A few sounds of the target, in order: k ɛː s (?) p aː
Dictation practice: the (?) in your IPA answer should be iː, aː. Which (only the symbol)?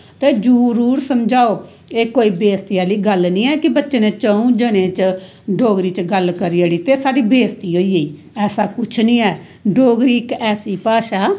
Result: iː